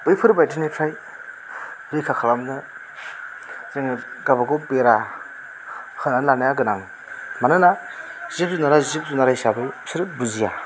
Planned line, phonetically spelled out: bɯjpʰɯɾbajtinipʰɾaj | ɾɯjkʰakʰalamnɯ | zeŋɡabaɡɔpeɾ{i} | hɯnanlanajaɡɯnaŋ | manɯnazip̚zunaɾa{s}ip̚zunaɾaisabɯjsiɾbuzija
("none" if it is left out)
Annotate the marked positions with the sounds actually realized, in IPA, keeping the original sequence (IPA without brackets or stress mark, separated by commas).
a, z